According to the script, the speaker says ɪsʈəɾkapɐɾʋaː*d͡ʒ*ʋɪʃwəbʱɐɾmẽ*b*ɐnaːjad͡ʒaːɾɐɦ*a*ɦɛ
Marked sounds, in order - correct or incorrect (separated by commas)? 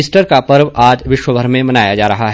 correct, incorrect, correct